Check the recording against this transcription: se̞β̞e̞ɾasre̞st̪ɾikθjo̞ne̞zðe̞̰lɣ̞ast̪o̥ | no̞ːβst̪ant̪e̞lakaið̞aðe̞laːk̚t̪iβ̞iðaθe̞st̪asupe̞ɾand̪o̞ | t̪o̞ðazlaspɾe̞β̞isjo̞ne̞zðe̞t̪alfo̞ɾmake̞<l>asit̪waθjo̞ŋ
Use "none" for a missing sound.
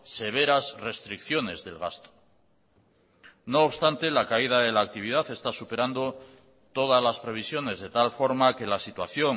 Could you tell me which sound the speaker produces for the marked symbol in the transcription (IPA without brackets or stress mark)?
l